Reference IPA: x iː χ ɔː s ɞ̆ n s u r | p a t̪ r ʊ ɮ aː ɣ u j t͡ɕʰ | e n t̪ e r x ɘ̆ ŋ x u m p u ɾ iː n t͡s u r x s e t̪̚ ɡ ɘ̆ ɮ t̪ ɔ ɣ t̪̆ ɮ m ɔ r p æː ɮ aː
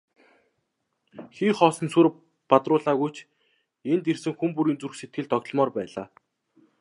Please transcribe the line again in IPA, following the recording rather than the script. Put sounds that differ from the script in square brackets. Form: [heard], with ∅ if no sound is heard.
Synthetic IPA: x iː χ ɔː s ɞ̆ n s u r | p a t̪ r [ʊː] ɮ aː ɣ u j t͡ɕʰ | e n t̪ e r [s] ɘ̆ ŋ x u m p u ɾ iː n t͡s u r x s e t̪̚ ɡ ɘ̆ ɮ t̪ ɔ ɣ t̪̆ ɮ m [ɔː] r p æː ɮ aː